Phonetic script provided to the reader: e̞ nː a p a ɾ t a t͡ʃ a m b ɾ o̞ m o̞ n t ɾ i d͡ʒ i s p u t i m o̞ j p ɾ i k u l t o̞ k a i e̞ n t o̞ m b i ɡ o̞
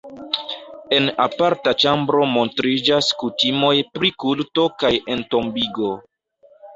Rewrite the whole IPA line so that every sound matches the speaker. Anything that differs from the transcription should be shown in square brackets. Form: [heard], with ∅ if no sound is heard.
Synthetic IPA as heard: e̞ [n] a p a ɾ t a t͡ʃ a m b ɾ o̞ m o̞ n t ɾ i d͡ʒ [a] s [k] u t i m o̞ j p ɾ i k u l t o̞ k a [j] e̞ n t o̞ m b i ɡ o̞